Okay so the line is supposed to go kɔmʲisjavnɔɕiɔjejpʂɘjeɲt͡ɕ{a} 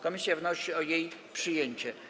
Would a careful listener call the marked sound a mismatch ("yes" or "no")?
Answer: yes